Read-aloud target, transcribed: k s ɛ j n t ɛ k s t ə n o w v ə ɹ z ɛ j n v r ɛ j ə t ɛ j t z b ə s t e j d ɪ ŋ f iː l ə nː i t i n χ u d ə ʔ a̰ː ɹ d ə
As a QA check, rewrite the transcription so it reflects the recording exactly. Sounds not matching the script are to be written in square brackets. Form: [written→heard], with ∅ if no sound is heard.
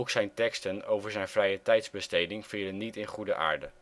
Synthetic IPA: k s ɛ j n t ɛ k s t ə n o w v ə ɹ z ɛ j n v r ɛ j ə t ɛ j t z b ə s t e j d ɪ ŋ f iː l ə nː i t [i→ɪ] n χ u d ə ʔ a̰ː ɹ d ə

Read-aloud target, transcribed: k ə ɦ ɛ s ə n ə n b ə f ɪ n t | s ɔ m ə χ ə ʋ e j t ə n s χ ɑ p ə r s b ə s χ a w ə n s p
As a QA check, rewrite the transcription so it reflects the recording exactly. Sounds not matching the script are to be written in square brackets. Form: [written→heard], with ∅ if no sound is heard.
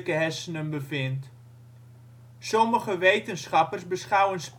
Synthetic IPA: k ə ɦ ɛ s ə n ə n b ə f ɪ n t | s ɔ m ə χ ə ʋ e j t ə n s χ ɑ p ə r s b ə s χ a w ə n s p

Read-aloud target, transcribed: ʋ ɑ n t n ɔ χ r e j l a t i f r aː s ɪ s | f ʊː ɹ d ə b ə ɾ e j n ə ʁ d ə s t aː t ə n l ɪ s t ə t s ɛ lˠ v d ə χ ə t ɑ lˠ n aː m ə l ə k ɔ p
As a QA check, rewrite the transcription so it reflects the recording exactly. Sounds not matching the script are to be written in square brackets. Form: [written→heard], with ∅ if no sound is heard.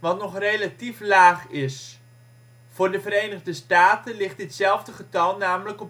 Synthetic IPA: ʋ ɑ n t n ɔ χ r e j l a t i f [r→l] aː [s→χ] ɪ s | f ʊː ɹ d ə [b→v] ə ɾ e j n ə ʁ d ə s t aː t ə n l ɪ [s→χ] t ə t s ɛ lˠ v d ə χ ə t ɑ lˠ n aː m ə l ə k ɔ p

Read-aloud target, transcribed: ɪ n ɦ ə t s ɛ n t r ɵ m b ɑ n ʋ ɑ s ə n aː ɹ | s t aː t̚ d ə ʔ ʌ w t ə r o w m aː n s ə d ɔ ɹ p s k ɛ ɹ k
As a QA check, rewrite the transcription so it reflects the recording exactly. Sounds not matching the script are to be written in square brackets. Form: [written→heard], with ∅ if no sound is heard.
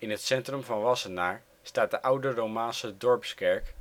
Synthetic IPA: ɪ n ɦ ə t s ɛ n t r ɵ m [b→v] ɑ n ʋ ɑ s ə n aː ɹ | s t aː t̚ d ə ʔ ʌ w [t→d] ə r o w m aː n s ə d ɔ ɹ p s k ɛ ɹ k

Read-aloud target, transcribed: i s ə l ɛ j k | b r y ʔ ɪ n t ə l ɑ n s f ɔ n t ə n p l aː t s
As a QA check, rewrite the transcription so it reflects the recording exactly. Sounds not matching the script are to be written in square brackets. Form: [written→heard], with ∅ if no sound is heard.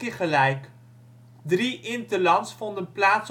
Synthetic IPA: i [s→χ] ə l ɛ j k | [b→d] r [y→i] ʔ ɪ n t ə l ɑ n s f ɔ n [t→d] ə n p l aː t s

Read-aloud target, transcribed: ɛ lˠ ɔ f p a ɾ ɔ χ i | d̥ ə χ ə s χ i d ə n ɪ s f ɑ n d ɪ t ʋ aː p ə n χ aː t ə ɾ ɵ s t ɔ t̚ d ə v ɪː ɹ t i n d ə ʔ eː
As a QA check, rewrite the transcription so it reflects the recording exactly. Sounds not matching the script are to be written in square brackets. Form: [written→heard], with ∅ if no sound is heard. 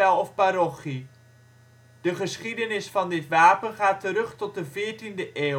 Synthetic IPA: ɛ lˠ ɔ f p a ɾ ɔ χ i | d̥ ə χ ə s χ i d ə n ɪ s f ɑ n d ɪ t ʋ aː p ə n χ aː t ə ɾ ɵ [s→χ] t ɔ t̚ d ə v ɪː ɹ t i n d ə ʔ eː

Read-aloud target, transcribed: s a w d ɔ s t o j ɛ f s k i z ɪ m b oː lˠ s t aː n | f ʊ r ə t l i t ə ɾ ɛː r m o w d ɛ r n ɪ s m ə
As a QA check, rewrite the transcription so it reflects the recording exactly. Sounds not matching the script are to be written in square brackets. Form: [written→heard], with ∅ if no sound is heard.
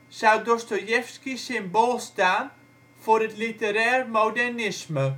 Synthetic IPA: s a w d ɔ s t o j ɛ f s k i [z→s] ɪ m b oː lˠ s t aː n | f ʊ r ə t l i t ə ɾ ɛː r m o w d ɛ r n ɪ s m ə

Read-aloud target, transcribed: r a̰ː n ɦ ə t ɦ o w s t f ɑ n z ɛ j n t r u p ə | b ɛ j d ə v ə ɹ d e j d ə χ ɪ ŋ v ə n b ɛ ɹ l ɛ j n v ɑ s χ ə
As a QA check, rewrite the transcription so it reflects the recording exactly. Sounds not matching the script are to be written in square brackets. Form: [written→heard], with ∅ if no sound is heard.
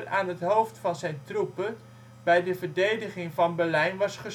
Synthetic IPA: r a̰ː n ɦ ə t ɦ o w [s→f] t f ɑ n z ɛ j n t r u p ə | b ɛ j d ə v ə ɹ d e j d ə χ ɪ ŋ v [ə→ɑ] n b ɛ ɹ l ɛ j n [v→ʋ] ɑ s χ ə

